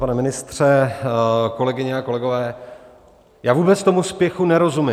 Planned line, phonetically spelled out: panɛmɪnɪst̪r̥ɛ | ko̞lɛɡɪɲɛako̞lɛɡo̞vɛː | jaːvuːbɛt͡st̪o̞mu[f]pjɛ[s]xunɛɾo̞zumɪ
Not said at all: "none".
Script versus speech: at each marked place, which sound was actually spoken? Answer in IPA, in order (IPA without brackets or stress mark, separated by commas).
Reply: s, none